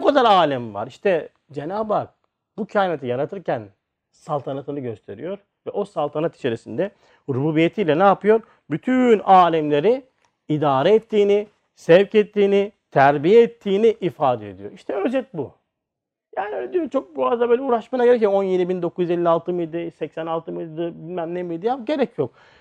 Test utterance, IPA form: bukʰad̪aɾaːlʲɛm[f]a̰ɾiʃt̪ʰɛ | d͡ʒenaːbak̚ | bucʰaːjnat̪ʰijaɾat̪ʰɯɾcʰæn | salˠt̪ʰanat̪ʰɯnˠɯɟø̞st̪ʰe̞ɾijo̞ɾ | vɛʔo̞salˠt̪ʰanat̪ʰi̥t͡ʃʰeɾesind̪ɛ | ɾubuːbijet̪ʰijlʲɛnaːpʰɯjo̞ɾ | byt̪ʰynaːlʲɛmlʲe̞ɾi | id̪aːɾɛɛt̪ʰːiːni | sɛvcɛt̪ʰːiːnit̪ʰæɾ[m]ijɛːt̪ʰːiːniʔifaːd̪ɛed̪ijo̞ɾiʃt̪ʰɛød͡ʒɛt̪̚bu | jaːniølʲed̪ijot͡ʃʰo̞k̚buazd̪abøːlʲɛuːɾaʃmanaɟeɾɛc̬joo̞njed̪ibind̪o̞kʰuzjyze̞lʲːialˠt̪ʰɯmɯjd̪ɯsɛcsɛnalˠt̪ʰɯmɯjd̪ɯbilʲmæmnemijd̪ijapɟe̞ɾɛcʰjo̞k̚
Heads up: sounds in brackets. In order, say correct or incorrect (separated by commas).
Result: incorrect, incorrect